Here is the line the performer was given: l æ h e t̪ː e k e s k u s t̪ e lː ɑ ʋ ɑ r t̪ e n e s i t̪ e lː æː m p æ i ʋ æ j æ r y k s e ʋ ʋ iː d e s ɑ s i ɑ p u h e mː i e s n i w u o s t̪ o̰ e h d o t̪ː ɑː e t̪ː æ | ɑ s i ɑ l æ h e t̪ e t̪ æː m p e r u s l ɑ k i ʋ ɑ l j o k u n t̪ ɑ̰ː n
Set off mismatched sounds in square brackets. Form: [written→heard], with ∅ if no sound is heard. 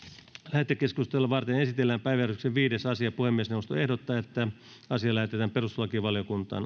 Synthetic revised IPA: l æ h e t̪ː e k e s k u s t̪ e lː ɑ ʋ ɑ r t̪ e n e s i t̪ e lː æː m p æ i ʋ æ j æ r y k s e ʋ ʋ iː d e s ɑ s i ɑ p u h e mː i e s n [i→e] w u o s t̪ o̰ e h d o t̪ː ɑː e t̪ː æ | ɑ s i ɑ l æ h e t̪ e t̪ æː m p e r u s l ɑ k i ʋ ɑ l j o k u n t̪ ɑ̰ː n